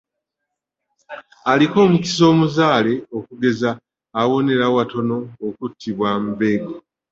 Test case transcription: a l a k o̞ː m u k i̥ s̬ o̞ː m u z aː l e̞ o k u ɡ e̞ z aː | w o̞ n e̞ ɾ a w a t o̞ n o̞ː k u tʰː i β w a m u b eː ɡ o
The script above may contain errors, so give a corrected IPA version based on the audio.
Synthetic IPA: a l i k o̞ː m u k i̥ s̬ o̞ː m u z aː l e̞ o k u ɡ e̞ z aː | w o̞ n e̞ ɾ a w a t o̞ n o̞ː k u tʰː i β w a m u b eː ɡ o